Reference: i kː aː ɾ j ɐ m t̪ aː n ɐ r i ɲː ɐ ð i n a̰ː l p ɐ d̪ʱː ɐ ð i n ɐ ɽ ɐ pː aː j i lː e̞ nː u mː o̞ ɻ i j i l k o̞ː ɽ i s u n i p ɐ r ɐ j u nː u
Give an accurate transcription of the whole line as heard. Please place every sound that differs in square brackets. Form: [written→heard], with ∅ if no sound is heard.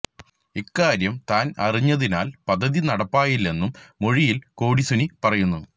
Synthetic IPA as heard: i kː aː ɾ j ɐ m t̪ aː n ɐ r i ɲː ɐ ð i n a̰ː l p ɐ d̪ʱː ɐ ð i n ɐ ɽ ɐ pː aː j i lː e̞ nː u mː o̞ ɻ i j i l k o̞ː ɽ i s u n i p ɐ r ɐ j u nː u